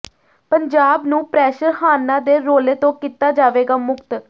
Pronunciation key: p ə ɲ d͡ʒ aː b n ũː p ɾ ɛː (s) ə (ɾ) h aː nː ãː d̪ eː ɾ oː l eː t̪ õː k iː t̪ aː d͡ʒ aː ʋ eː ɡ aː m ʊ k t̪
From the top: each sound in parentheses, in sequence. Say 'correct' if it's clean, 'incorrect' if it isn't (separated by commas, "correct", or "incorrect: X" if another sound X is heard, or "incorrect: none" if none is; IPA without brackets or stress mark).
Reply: incorrect: ʃ, correct